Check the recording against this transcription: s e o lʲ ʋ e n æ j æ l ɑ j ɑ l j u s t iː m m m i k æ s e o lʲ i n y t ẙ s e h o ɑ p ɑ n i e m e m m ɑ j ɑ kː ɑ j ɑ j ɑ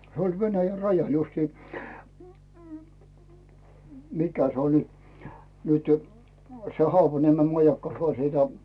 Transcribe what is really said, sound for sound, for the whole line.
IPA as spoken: s e o lʲ ʋ e n æ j æ r ɑ j ɑ l j u s t iː m m m i k æ s e o lʲ i n y t ẙ s e h o ɑ p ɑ n i e m e m m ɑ j ɑ kː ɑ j ɑ j ɑ